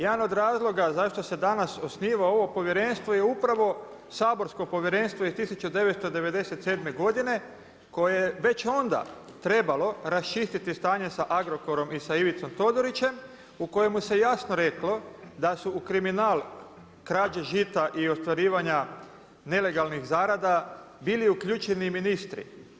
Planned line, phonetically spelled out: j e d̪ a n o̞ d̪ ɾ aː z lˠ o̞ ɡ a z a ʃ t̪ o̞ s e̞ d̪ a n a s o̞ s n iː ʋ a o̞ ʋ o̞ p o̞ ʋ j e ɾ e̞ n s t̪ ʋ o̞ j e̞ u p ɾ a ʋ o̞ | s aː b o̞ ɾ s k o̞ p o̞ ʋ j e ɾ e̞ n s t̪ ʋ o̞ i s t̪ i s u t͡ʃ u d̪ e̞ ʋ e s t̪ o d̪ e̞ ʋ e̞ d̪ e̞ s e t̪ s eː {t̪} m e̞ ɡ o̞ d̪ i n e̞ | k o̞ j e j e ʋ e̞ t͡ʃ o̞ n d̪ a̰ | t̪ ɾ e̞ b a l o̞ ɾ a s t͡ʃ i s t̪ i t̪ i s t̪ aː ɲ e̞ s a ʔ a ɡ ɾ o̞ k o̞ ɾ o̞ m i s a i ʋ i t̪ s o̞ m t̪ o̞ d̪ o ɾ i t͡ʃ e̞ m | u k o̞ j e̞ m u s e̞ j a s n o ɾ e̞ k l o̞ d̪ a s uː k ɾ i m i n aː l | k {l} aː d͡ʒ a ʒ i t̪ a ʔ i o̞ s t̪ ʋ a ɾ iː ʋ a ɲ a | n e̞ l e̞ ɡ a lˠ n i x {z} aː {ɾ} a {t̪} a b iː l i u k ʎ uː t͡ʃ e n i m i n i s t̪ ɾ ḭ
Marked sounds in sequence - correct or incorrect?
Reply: incorrect, incorrect, correct, correct, incorrect

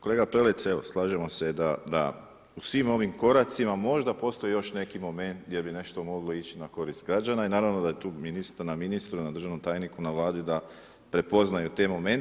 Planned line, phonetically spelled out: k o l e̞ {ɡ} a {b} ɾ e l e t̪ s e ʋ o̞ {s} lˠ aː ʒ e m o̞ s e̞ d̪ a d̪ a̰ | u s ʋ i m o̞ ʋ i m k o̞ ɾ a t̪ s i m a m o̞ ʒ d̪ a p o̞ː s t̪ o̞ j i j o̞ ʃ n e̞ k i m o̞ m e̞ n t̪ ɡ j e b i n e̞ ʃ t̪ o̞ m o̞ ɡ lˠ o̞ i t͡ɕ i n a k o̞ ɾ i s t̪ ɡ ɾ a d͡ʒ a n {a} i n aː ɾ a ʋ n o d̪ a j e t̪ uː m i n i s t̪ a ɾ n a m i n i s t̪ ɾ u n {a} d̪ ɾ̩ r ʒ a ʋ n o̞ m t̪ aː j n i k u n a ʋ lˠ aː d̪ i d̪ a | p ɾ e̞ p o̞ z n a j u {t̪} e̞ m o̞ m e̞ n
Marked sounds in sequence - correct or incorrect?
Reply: correct, incorrect, correct, correct, correct, correct

